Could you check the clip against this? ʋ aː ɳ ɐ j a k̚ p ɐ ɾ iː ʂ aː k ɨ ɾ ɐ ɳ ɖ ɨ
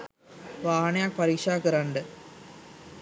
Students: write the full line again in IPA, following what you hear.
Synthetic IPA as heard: ʋ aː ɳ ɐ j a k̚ p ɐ ɾ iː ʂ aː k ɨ ɾ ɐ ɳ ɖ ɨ